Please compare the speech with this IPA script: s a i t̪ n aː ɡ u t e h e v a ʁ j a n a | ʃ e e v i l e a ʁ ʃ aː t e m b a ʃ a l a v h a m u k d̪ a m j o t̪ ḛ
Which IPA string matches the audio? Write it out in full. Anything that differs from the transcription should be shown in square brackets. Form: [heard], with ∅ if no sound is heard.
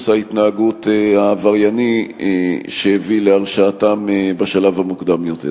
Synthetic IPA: s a i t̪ n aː ɡ u t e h [a] v a ʁ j a n [i] | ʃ e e v i l e a ʁ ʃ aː t [a] m b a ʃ a l a v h a m u k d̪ a m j o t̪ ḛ